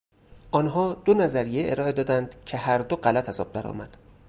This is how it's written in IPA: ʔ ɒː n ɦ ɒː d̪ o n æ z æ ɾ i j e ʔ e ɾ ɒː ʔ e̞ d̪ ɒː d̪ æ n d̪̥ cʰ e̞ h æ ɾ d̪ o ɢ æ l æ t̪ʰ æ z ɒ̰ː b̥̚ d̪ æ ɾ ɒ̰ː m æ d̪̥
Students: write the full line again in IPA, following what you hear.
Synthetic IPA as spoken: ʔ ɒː n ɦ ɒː d̪ o n æ z æ ɾ i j e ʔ e ɾ ɒː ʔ e̞ d̪ ɒː d̪ æ n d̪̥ cʰ e̞ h æ ɾ d̪ o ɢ æ l æ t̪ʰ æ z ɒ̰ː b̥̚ d̪ æ ɾ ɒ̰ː m æ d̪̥